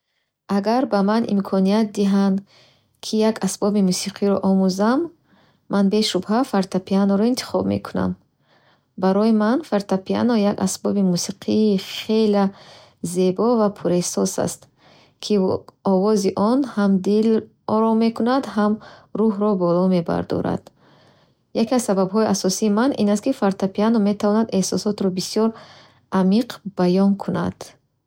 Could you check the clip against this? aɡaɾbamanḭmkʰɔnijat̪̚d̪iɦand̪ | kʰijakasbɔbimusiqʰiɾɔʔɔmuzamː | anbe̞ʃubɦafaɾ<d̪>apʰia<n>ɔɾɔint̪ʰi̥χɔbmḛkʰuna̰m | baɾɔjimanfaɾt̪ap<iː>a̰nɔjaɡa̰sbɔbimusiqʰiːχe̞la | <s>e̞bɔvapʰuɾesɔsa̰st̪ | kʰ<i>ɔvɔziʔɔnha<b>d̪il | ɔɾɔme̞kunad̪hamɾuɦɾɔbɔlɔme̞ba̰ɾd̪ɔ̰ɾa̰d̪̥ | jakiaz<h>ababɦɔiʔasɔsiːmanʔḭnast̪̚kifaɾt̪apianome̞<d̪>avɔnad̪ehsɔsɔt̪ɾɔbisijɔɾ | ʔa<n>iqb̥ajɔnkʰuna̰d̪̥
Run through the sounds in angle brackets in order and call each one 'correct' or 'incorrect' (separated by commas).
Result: incorrect, correct, incorrect, incorrect, correct, incorrect, incorrect, incorrect, incorrect